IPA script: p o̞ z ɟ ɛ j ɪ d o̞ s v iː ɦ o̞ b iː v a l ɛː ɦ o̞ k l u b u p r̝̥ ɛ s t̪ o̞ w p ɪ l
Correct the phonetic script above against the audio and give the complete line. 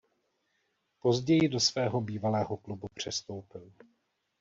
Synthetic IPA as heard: p o̞ z ɟ ɛ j ɪ d o̞ s v ɛː ɦ o̞ b iː v a l ɛː ɦ o̞ k l u b u p r̝̥ ɛ s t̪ o̞ w p ɪ l